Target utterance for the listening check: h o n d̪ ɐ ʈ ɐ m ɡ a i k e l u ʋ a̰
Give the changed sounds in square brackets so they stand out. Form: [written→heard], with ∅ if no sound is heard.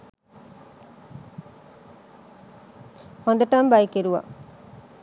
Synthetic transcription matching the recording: h o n d̪ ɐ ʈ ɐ m [ɡ→b] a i k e [l→ɾ] u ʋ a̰